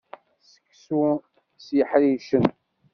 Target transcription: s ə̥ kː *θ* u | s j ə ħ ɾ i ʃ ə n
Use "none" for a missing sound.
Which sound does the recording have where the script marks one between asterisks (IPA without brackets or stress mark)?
s